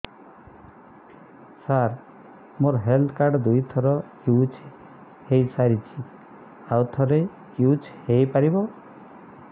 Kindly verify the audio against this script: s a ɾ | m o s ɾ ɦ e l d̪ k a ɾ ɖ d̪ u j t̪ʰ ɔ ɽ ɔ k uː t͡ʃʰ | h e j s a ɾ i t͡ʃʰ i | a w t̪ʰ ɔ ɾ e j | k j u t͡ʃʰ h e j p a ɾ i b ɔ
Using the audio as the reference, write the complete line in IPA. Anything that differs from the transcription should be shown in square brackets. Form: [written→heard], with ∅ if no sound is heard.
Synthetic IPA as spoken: s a ɾ | m o [s→∅] ɾ ɦ e l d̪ k a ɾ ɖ d̪ u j t̪ʰ ɔ [ɽ→ɾ] ɔ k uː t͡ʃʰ | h e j s a ɾ i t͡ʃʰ i | a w t̪ʰ ɔ ɾ e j | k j u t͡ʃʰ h e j p a ɾ i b ɔ